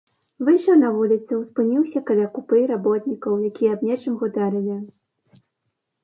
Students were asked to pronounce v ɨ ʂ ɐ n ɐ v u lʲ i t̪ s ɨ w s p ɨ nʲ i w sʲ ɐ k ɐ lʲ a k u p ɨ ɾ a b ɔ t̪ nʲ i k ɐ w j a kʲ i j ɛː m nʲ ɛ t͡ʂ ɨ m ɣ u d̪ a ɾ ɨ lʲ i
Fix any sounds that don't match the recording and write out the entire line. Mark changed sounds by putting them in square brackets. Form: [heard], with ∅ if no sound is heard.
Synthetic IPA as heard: v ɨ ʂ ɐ n ɐ v u lʲ i t̪ s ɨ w s p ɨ nʲ i w sʲ ɐ k ɐ lʲ a k u p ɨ ɾ a b ɔ t̪ nʲ i k ɐ w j a kʲ i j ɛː [b] nʲ ɛ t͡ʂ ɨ m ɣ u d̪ a ɾ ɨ lʲ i